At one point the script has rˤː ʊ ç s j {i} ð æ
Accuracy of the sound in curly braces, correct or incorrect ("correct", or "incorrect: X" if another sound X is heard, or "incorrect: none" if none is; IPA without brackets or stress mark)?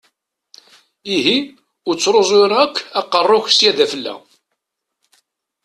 incorrect: æ